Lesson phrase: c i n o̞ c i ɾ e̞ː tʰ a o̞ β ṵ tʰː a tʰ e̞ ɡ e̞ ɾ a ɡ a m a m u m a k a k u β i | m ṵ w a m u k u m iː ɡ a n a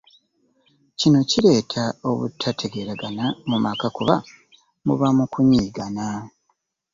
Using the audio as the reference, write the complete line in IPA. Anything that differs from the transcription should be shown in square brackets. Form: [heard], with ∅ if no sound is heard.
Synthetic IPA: c i n o̞ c i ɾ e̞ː tʰ a o̞ β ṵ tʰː a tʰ e̞ ɡ e̞ ɾ a ɡ a [n] a m u m a k a k u β [a] | m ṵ [β] a m u k u [ɲ] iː ɡ a n a